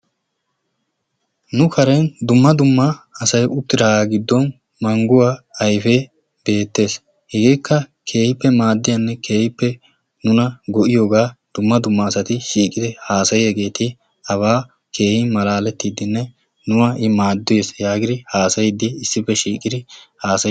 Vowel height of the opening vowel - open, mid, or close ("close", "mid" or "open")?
close